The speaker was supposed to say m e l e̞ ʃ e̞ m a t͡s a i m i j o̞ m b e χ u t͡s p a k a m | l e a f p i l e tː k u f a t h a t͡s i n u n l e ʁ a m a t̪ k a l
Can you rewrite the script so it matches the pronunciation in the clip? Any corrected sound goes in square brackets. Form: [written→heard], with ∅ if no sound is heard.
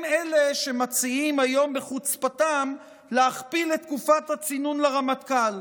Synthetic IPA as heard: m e l e̞ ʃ e̞ m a t͡s [a→i] i m [i→a] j o̞ m b e χ u t͡s p a [k→t] a m | l e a [f→χ] p i l e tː k u f a t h a t͡s i n u n l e ʁ a m a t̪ k a l

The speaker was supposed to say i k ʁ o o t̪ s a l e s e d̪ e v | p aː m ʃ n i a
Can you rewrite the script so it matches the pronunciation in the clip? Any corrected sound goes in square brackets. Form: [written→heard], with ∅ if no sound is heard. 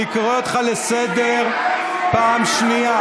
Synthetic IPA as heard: i k ʁ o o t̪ [s→χ] a l e s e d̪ e [v→ʁ] | p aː m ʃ n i a

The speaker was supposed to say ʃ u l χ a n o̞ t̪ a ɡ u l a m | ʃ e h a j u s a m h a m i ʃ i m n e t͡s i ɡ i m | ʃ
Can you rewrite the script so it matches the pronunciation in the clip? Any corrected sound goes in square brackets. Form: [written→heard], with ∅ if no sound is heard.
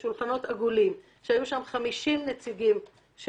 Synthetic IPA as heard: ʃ u l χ a n o̞ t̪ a ɡ u l [a→i] m | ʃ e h a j u [s→ʃ] a m [h→χ] a m i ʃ i m n e t͡s i ɡ i m | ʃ

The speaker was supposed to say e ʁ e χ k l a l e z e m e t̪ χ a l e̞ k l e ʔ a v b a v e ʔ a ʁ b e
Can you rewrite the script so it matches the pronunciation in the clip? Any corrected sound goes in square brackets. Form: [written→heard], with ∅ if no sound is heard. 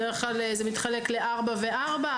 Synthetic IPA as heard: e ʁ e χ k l a l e z e m [e→i] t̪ χ a l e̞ k l e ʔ a [v→ʁ] b a v e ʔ a ʁ b [e→a]

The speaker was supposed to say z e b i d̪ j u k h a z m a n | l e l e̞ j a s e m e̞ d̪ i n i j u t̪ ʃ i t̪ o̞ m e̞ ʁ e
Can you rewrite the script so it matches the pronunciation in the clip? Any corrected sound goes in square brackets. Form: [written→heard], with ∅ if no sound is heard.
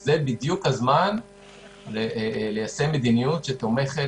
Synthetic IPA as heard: z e b i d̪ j u k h a z m a n | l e l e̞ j a s e m e̞ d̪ i n i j u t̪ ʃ [i→e] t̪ o̞ m e̞ [ʁ→χ] e

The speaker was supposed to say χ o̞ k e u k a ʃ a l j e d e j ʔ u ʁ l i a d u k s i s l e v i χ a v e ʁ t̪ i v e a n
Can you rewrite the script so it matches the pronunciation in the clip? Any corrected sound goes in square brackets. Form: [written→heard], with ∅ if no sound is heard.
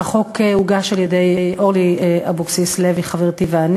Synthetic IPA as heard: χ o̞ k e u [k→ɡ] a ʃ a l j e d e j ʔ [u→o] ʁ l i a [d→b] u k s i s l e v i χ a v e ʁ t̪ i v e a n

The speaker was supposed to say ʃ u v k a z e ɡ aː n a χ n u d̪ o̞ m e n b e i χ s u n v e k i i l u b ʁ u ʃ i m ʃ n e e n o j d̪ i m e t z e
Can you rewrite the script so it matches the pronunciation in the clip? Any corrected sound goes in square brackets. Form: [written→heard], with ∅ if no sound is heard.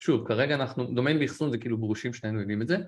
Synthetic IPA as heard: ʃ u v k a [z→ʁ] e ɡ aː n a χ n u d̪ o̞ m e n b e i χ s u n [v→z] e k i i l u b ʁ u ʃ i m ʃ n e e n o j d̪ i m e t z e

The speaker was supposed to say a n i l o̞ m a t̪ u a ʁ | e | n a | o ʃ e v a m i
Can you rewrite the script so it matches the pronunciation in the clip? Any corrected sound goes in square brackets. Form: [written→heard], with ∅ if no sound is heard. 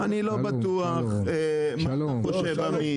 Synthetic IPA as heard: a n i l o̞ [m→b] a t̪ u a [ʁ→χ] | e | [n→m] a | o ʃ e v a m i

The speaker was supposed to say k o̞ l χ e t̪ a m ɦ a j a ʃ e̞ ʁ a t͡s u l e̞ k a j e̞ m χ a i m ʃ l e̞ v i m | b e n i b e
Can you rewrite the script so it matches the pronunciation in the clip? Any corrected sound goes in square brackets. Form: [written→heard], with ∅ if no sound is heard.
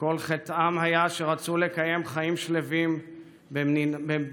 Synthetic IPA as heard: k o̞ l χ e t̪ a m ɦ a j a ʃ e̞ ʁ a t͡s u l e̞ k a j e̞ m χ a i m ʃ l e̞ v i m | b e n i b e

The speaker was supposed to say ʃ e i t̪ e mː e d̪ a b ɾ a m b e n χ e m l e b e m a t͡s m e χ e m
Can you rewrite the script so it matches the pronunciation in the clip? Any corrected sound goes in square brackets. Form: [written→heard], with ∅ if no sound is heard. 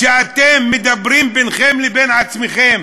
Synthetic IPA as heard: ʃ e [i→a] t̪ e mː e d̪ a b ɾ [a→i] m b e n χ e m l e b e [m→n] a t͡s m e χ e m

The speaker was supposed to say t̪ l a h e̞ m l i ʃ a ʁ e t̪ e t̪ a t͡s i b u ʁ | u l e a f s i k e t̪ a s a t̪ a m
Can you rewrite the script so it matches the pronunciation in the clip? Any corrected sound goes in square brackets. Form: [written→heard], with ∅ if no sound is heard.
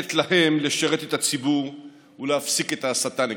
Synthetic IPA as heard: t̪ l a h e̞ m l [i→e] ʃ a ʁ e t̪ e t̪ a t͡s i b u ʁ | u l e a f s i k e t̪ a s a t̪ a [m→n]

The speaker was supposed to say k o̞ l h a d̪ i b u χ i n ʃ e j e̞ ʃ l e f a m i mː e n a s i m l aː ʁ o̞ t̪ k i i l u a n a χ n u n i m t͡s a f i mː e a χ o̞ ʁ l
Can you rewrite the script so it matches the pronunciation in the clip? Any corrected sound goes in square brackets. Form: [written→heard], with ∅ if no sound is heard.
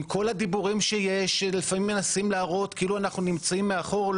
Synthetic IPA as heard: k o̞ l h a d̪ i b u [χ→ʁ] i [n→m] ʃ e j e̞ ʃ l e f a m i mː e n a s i m l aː ʁ o̞ t̪ k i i l u a n a χ n u n i m t͡s a [f→∅] i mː e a χ o̞ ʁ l

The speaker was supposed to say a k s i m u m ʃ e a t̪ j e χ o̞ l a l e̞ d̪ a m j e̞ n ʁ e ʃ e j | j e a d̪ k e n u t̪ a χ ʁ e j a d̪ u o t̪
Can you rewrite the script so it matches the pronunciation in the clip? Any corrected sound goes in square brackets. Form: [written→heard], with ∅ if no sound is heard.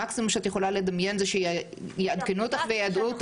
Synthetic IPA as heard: a k s i m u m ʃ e a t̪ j e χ o̞ l a l e̞ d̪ a m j e̞ n [ʁ→z] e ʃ e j | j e a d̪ k e n u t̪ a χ [ʁ→v] e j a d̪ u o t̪

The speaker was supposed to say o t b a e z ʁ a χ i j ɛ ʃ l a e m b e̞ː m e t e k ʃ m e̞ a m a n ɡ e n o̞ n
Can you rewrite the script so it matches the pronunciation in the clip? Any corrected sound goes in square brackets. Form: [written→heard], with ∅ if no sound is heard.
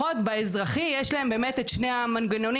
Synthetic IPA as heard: o t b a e z ʁ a χ i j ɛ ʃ l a e m b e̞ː m e t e [k→t] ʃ [m→n] e̞ a m a n ɡ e n o̞ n

